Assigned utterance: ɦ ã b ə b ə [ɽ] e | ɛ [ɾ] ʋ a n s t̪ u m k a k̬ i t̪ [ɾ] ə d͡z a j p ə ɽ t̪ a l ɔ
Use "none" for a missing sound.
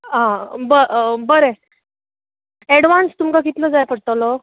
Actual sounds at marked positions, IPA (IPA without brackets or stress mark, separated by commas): ɾ, ɽ, l